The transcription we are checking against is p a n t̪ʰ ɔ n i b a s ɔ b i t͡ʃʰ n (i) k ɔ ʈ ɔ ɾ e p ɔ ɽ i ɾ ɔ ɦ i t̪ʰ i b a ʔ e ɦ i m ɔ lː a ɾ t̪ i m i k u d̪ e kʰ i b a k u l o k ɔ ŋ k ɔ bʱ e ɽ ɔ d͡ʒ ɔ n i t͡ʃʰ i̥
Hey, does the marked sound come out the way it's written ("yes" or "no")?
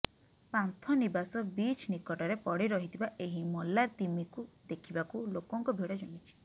yes